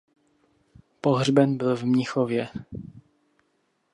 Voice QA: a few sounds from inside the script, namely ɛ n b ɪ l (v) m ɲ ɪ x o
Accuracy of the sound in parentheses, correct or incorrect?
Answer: correct